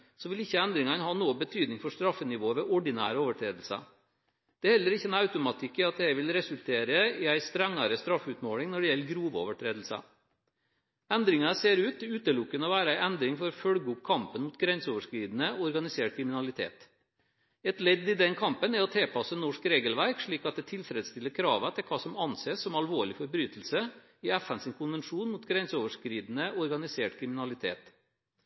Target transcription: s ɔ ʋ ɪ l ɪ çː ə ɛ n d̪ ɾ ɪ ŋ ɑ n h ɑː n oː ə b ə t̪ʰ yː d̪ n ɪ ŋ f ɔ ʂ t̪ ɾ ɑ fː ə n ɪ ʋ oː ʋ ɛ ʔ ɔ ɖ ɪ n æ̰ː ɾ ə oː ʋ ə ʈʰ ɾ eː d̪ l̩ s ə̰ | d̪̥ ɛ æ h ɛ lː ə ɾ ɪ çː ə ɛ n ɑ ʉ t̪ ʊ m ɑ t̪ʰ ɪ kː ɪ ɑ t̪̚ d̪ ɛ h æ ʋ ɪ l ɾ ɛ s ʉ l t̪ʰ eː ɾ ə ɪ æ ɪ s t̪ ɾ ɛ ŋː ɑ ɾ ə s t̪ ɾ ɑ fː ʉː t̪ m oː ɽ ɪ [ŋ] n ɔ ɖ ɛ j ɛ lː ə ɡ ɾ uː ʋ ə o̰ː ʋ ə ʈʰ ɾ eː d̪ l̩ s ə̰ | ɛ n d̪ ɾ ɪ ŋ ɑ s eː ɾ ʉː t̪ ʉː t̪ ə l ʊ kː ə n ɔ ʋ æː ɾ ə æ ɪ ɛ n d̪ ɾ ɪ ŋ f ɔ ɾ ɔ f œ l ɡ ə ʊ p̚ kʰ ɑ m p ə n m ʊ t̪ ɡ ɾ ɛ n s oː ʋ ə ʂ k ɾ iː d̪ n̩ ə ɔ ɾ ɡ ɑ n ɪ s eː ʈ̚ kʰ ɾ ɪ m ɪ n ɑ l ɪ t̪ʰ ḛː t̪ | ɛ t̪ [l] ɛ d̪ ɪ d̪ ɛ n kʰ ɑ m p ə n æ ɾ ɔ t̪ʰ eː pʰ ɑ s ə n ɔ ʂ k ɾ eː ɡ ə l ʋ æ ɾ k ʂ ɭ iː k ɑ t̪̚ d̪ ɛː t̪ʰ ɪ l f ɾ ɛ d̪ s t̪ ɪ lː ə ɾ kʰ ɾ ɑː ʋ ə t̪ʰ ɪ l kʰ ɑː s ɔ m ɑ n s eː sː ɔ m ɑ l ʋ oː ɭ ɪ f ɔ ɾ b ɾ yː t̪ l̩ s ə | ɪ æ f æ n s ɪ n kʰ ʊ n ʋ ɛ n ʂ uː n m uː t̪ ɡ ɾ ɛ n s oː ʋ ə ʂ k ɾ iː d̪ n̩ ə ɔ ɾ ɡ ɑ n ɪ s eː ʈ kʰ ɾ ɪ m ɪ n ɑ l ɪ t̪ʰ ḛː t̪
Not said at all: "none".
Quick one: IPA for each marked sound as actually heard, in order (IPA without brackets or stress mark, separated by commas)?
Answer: ŋ, l